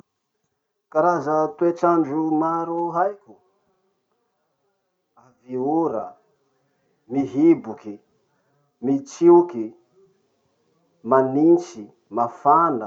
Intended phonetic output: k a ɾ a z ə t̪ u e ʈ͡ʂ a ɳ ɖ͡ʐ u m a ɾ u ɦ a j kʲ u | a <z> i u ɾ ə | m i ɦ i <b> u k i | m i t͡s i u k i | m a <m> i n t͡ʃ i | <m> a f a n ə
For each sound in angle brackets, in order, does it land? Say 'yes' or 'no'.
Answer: no, yes, no, yes

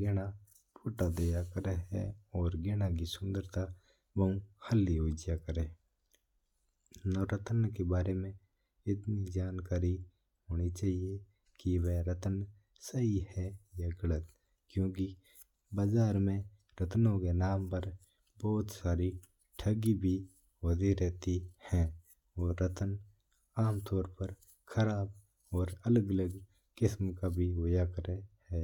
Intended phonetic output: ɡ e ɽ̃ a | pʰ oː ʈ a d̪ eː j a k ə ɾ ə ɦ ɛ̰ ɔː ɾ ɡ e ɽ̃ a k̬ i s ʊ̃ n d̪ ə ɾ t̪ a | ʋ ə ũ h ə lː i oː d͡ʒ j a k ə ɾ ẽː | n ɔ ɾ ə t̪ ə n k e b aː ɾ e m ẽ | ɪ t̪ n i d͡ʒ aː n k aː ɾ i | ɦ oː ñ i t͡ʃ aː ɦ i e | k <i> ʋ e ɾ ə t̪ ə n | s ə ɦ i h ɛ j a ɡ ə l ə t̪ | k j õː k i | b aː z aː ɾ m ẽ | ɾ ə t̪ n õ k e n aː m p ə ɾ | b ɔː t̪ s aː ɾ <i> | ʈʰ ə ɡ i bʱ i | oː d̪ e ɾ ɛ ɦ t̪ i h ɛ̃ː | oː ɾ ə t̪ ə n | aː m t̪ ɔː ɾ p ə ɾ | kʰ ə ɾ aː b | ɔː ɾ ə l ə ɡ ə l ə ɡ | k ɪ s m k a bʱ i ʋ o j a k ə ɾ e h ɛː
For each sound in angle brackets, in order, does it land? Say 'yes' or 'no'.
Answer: yes, yes

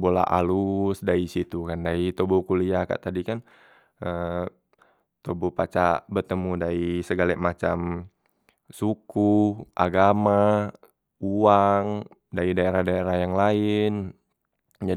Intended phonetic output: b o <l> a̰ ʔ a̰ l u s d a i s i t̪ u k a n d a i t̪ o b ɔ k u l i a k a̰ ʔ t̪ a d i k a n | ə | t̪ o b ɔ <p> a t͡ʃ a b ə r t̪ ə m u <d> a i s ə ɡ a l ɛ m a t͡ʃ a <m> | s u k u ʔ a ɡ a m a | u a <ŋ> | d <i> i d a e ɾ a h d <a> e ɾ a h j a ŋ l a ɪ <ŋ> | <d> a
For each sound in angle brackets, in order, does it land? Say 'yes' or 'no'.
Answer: yes, yes, yes, yes, yes, no, yes, no, no

